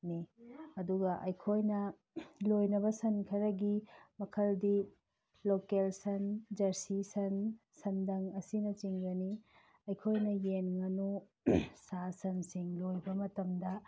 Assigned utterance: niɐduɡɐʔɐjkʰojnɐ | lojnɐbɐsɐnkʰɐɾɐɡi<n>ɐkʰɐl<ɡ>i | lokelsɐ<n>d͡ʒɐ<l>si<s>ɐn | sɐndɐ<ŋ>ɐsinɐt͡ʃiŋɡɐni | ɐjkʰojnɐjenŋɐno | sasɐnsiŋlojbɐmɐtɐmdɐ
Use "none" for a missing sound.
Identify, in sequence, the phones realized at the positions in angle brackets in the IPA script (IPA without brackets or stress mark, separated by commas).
m, d, n, ɾ, s, ŋ